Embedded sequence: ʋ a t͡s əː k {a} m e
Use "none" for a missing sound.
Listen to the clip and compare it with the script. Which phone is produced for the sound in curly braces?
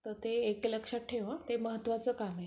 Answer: a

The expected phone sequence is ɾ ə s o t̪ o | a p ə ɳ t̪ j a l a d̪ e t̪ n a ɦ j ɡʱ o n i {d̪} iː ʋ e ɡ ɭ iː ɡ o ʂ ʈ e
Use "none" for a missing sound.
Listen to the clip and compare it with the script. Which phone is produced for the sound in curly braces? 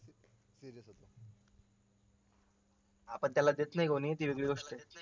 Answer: t̪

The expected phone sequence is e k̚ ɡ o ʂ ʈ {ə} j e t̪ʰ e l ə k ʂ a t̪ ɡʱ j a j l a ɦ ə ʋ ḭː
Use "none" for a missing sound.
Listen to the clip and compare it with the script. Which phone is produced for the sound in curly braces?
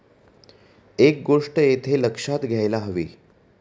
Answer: ə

